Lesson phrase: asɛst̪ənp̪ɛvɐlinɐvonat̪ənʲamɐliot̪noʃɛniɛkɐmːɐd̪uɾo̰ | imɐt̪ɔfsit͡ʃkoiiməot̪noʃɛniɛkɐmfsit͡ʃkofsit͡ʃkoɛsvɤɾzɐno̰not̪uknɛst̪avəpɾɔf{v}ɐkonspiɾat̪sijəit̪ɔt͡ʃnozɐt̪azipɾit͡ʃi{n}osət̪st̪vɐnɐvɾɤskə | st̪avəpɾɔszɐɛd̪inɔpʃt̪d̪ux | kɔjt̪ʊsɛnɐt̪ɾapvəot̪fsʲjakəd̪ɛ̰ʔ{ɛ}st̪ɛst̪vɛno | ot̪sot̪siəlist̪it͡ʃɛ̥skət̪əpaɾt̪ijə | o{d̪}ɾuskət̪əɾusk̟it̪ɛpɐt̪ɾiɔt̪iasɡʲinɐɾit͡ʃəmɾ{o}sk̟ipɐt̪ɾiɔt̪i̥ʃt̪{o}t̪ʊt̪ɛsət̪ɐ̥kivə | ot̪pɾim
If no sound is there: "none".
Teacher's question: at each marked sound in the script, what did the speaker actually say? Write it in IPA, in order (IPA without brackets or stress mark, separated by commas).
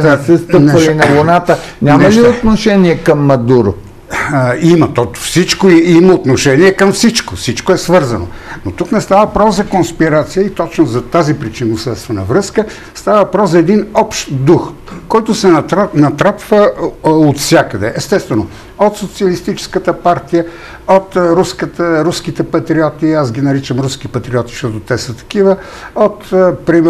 z, n, ɛ, t̪, u, ɔ